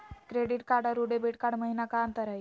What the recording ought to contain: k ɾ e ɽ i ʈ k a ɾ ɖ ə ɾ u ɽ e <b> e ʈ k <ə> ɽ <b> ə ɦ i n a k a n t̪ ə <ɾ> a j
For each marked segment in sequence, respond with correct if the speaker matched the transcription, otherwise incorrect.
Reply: correct, incorrect: a, incorrect: m, correct

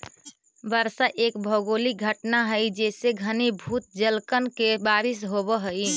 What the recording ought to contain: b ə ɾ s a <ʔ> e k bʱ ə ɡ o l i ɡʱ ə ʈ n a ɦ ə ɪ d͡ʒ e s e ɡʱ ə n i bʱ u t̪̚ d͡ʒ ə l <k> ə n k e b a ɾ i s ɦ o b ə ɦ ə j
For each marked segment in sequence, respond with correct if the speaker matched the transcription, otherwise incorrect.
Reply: correct, correct

